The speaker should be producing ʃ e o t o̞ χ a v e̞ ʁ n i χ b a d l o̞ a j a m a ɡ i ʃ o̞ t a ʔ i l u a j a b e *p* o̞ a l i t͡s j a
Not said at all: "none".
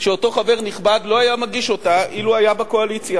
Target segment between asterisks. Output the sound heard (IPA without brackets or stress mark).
k